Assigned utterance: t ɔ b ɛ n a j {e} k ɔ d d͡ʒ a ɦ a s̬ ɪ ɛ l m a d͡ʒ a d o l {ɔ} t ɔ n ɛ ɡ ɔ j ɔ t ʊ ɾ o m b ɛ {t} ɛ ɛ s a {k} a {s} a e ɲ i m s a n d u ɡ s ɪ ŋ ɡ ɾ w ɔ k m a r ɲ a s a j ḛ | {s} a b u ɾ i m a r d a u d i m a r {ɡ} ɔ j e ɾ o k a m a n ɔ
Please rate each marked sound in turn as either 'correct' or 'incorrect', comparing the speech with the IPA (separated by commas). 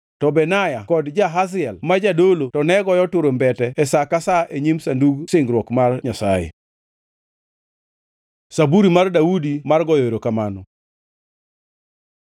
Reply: incorrect, incorrect, correct, correct, correct, correct, correct